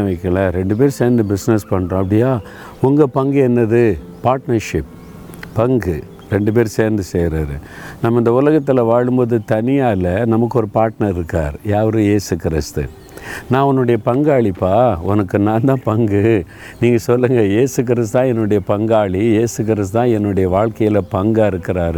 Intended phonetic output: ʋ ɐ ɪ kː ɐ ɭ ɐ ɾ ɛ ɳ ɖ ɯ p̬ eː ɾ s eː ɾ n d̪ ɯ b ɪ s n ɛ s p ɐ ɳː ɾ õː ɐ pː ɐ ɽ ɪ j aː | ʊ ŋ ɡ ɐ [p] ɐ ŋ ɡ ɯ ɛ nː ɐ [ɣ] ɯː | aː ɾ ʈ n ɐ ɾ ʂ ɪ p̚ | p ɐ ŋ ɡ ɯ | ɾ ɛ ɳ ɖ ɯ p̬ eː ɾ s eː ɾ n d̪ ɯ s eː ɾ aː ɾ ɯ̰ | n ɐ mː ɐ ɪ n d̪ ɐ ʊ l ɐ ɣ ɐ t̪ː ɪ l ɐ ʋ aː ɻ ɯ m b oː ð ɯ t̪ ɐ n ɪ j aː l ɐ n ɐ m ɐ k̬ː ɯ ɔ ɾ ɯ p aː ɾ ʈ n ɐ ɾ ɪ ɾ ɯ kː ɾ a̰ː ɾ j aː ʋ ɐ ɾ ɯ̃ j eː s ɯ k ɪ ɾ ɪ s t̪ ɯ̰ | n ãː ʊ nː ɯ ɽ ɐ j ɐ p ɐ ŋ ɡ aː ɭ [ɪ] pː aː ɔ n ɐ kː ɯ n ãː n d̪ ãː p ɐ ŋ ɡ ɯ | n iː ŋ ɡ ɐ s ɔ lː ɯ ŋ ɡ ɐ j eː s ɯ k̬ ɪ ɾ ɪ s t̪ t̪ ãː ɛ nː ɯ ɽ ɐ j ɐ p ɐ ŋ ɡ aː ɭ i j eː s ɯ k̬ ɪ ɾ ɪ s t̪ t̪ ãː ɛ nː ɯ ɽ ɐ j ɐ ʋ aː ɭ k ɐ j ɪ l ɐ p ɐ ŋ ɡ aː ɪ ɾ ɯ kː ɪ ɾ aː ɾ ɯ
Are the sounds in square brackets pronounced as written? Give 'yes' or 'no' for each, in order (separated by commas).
yes, no, no